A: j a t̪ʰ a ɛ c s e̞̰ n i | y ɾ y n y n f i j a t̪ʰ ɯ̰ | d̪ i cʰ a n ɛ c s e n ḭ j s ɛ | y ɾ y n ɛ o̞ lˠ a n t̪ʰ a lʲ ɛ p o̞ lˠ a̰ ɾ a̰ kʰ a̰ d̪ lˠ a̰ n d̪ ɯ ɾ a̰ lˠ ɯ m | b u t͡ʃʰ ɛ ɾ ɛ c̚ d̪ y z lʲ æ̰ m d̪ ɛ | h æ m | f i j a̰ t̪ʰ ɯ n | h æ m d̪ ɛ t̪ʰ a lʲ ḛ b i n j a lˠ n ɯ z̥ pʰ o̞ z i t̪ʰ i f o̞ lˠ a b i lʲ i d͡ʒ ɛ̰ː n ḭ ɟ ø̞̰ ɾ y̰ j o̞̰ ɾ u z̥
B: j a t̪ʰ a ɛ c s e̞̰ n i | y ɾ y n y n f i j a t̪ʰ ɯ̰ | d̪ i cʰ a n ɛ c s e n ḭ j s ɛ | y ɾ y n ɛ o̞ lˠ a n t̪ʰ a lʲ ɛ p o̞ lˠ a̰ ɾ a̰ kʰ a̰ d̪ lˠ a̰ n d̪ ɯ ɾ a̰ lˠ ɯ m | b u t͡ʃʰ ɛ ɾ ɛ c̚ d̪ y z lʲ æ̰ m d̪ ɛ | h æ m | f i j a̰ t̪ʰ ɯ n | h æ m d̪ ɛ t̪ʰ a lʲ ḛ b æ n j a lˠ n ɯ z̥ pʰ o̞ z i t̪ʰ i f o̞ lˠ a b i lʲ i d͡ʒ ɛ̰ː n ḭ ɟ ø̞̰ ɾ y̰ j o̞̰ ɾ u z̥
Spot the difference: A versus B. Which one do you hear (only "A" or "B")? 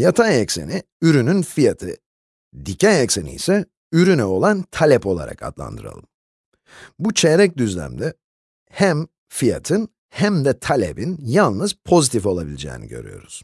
A